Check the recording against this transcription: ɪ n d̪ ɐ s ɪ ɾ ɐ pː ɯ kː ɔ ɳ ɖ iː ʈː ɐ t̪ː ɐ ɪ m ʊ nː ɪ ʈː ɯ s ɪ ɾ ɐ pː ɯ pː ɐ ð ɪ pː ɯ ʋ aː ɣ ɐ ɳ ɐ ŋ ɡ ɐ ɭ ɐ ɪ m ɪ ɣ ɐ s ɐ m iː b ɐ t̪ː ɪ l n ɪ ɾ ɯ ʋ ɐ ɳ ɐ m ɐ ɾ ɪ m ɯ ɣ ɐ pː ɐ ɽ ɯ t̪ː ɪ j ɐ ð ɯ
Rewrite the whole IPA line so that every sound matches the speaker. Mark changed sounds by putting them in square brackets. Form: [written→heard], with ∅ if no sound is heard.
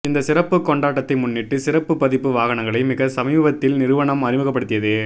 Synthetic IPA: ɪ n d̪ ɐ s ɪ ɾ ɐ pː ɯ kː ɔ ɳ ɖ [iː→aː] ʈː ɐ t̪ː ɐ ɪ m ʊ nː ɪ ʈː ɯ s ɪ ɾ ɐ pː ɯ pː ɐ ð ɪ pː ɯ ʋ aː ɣ ɐ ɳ ɐ ŋ ɡ ɐ ɭ ɐ ɪ m ɪ ɣ ɐ s ɐ m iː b ɐ t̪ː ɪ l n ɪ ɾ ɯ ʋ ɐ ɳ ɐ m ɐ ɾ ɪ m ɯ ɣ ɐ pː ɐ ɽ ɯ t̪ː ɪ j ɐ ð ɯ

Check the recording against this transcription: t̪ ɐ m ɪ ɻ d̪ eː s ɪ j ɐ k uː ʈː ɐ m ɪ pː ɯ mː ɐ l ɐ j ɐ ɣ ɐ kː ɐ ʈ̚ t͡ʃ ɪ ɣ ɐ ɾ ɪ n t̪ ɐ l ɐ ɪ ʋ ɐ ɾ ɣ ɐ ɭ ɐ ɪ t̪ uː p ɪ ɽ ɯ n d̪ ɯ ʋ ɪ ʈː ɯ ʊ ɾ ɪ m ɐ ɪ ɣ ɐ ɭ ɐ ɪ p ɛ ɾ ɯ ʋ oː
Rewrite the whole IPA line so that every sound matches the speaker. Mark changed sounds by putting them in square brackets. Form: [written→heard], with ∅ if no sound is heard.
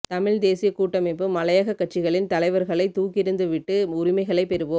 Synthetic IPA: t̪ ɐ m ɪ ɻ d̪ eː s ɪ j ɐ k uː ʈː ɐ m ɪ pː ɯ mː ɐ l ɐ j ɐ ɣ ɐ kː ɐ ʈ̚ t͡ʃ ɪ ɣ ɐ [ɾ→ɭ] ɪ n t̪ ɐ l ɐ ɪ ʋ ɐ ɾ ɣ ɐ ɭ ɐ ɪ t̪ uː [p→k] ɪ [ɽ→ɾ] ɯ n d̪ ɯ ʋ ɪ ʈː ɯ ʊ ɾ ɪ m ɐ ɪ ɣ ɐ ɭ ɐ ɪ p ɛ ɾ ɯ ʋ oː

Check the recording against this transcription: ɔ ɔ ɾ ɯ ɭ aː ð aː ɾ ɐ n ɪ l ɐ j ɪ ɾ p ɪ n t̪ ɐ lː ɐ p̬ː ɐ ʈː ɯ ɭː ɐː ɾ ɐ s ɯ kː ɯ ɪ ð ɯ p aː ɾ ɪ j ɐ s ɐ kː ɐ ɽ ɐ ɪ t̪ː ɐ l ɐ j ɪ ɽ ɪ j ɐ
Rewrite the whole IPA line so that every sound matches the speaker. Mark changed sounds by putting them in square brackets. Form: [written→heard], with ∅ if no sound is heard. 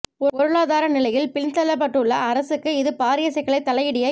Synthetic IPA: ɔ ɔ ɾ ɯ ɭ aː ð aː ɾ ɐ n ɪ l ɐ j ɪ [ɾ→l] p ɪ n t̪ ɐ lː ɐ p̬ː ɐ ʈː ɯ ɭː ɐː ɾ ɐ s ɯ kː ɯ ɪ ð ɯ p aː ɾ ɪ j ɐ s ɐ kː ɐ [ɽ→ɭ] ɐ ɪ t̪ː ɐ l ɐ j ɪ ɽ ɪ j ɐ

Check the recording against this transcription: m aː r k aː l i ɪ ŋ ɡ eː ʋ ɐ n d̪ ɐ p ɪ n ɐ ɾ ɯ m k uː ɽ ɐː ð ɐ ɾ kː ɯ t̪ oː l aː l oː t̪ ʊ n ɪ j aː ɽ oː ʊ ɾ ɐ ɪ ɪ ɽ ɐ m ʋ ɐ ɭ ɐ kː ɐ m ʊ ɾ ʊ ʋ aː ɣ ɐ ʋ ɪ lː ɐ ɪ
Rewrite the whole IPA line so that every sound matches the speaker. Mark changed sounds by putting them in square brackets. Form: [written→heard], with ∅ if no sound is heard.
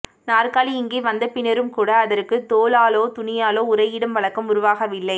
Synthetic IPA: [m→n] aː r k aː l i ɪ ŋ ɡ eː ʋ ɐ n d̪ ɐ p ɪ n ɐ ɾ ɯ m k uː ɽ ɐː ð ɐ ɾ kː ɯ t̪ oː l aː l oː t̪ ʊ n ɪ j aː [ɽ→l] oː ʊ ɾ ɐ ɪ ɪ ɽ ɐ m ʋ ɐ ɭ ɐ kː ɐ m ʊ ɾ ʊ ʋ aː ɣ ɐ ʋ ɪ lː ɐ ɪ

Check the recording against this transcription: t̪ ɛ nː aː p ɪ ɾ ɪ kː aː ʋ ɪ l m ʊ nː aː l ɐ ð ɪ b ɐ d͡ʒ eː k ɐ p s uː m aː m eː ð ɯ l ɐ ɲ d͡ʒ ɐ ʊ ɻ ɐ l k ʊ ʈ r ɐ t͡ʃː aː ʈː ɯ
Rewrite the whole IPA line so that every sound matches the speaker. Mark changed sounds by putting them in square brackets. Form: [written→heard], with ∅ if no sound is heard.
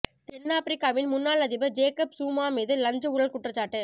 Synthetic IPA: t̪ ɛ nː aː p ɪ ɾ ɪ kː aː ʋ ɪ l m ʊ nː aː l ɐ ð ɪ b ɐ d͡ʒ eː k ɐ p s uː m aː m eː ð ɯ l ɐ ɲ d͡ʒ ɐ ʊ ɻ ɐ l k ʊ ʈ r ɐ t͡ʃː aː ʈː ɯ

